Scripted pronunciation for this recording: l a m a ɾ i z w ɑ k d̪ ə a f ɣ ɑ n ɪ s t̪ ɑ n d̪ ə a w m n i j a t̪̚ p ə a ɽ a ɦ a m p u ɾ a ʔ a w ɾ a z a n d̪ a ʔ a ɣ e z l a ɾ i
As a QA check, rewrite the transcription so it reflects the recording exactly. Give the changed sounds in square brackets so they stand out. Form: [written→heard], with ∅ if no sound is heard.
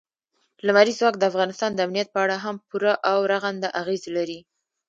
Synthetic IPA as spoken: l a m a ɾ i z w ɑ k d̪ ə a f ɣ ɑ n ɪ s t̪ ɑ n d̪ ə a [w→∅] m n i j a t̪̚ p ə a ɽ a ɦ a m p u ɾ a ʔ a w ɾ a [z→ɣ] a n d̪ a ʔ a ɣ e z l a ɾ i